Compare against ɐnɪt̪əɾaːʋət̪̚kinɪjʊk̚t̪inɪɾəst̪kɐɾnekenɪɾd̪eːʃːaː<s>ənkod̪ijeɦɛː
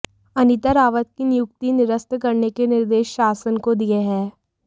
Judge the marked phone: correct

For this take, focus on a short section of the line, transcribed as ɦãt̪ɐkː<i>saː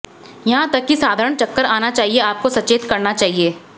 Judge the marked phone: correct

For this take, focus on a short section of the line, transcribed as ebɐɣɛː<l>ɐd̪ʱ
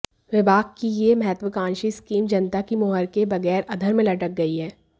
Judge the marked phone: incorrect: ɾ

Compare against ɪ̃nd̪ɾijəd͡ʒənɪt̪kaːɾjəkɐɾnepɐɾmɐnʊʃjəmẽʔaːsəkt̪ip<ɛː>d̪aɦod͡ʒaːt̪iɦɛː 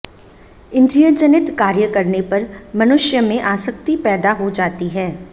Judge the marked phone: correct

